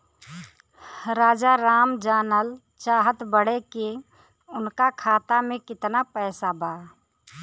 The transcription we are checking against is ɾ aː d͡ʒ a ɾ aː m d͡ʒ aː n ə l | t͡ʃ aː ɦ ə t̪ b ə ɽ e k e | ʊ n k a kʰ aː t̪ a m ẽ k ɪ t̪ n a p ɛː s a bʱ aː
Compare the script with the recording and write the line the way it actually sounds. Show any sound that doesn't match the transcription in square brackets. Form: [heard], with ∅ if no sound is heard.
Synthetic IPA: ɾ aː d͡ʒ a ɾ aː m d͡ʒ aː n ə l | t͡ʃ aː ɦ ə t̪ b ə ɽ e k e | ʊ n k a kʰ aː t̪ a m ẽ k ɪ t̪ n a p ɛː s a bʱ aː